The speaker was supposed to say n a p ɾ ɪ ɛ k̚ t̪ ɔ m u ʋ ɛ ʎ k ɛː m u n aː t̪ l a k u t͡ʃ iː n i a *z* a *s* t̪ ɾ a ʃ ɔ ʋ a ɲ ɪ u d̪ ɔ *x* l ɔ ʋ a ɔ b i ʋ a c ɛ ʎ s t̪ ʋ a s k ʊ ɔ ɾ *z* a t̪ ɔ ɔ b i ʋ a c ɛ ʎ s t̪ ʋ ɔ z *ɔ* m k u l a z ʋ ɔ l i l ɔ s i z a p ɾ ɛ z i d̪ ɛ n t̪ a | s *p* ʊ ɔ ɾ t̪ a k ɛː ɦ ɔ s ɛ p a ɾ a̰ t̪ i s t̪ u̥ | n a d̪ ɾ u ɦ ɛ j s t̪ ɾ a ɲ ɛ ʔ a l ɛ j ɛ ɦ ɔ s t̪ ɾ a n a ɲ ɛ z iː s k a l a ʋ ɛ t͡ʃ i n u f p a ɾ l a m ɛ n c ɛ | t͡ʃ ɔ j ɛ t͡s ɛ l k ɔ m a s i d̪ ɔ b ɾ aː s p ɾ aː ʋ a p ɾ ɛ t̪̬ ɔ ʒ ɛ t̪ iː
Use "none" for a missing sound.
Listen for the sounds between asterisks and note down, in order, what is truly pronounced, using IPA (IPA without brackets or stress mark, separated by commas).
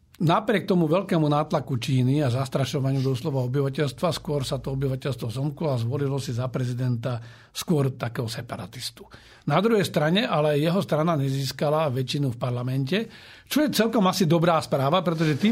z, s, s, s, ɔ, k